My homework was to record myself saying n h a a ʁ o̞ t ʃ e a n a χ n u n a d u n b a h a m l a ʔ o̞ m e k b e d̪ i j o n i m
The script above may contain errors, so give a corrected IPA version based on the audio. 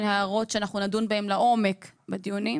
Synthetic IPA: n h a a ʁ o̞ t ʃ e a n a χ n u n a d u n b a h e m l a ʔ o̞ m e k b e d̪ i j u n i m

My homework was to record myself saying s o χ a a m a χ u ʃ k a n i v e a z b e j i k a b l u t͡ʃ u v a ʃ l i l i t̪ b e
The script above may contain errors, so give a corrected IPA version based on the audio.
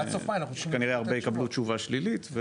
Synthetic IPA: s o f a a n a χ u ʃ k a n i ʁ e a ʁ b e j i k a b l u t͡ʃ u v a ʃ l i l i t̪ v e

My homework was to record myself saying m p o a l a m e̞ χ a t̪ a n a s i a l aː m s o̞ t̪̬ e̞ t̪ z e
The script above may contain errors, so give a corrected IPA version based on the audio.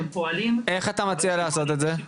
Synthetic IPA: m p o a l i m e̞ χ a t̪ a m a t͡s i a l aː s o̞ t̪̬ e̞ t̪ z e

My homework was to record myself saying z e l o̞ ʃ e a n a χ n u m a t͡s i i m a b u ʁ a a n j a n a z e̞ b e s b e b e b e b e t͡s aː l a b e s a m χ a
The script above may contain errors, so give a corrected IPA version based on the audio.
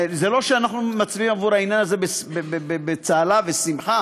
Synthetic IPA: z e l o̞ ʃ e a n a χ n u m a t͡s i i m a v u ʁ a i n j a n a z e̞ b e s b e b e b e b e t͡s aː l a v e s i m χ a

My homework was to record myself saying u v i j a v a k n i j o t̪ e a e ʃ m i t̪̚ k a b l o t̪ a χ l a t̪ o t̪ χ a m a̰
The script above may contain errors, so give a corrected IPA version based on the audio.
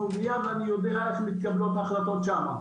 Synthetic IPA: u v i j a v a n i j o d̪ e a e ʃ m i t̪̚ k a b l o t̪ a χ l a t̪ o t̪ ʃ a m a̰

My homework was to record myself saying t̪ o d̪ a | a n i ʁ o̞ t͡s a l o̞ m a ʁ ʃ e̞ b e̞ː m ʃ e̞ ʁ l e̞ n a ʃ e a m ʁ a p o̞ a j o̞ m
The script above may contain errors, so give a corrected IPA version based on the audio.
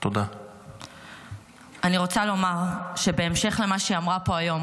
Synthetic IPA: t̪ o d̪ a | a n i ʁ o̞ t͡s a l o̞ m a ʁ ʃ e̞ b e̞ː m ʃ e̞ χ l e̞ m a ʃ i a m ʁ a p o̞ a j o̞ m

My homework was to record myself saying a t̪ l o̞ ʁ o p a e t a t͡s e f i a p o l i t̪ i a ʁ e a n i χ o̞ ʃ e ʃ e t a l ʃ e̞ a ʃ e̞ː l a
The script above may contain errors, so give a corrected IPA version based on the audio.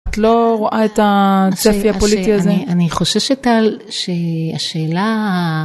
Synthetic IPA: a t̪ l o̞ ʁ o ʔ a e t a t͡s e f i a p o l i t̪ i a z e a n i χ o̞ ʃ e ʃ e t a l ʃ e̞ a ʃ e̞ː l a

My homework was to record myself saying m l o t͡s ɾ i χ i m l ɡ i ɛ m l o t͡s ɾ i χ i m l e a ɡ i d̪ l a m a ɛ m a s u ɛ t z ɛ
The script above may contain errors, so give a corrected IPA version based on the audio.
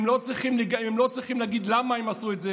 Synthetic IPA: m l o t͡s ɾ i χ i m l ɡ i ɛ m l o t͡s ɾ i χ i m l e a ɡ i d̪ l a m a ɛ m a s u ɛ t z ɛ

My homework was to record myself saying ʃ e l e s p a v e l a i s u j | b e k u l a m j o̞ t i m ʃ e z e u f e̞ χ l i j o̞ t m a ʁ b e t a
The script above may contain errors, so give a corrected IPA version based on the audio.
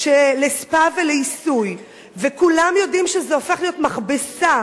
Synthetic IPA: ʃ e l e s p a v e l e i s u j | v e k u l a m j o̞ d i m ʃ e z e o f e̞ χ l i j o̞ t m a χ b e s a

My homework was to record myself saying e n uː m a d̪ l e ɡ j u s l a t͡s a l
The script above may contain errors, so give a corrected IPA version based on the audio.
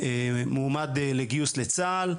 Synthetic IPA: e m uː m a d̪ l e ɡ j u s l e t͡s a l

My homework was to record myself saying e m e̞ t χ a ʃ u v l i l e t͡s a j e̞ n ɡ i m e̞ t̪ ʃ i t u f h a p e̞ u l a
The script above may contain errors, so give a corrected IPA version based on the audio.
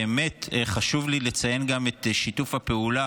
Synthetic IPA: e m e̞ t χ a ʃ u v l i l e t͡s a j e̞ n ɡ a m e̞ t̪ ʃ i t u f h a p e̞ u l a

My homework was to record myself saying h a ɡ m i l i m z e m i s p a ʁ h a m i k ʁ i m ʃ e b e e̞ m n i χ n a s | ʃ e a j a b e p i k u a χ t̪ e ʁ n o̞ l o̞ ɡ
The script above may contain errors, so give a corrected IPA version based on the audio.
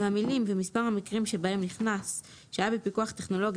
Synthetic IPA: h a m i l i m v e m i s p a ʁ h a m i k ʁ i m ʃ e b a e̞ m n i χ n a s | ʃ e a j a b e p i k u a χ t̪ e χ n o̞ l o̞ ɡ

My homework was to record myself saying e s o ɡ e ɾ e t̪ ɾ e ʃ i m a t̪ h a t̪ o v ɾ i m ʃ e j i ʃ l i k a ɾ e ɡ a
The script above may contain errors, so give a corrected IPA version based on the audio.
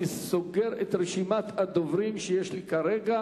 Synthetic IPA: i s o ɡ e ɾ e t̪ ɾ e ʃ i m a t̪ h a d̪ o v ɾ i m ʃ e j e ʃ l i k a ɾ e ɡ a

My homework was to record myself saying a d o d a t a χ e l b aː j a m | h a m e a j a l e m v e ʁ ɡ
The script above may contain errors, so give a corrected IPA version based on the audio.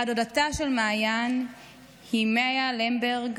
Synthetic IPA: a d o d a t a ʃ e l m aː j a n | h i m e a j a l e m b e ʁ ɡ

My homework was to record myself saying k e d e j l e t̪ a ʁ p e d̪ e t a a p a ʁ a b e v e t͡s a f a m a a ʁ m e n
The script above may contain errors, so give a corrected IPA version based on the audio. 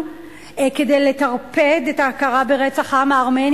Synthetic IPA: k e d e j l e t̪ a ʁ p e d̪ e t a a k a ʁ a b e ʁ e t͡s a χ a m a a ʁ m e n

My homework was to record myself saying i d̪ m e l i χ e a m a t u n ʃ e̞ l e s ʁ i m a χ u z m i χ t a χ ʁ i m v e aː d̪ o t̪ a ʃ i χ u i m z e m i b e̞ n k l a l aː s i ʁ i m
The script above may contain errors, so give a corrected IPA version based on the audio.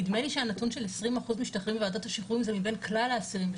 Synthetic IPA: i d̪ m e l i ʃ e a n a t u n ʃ e̞ l e s ʁ i m a χ u z m i ʃ t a χ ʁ i m v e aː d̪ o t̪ a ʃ i χ u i m z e m i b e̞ n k l a l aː s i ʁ i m

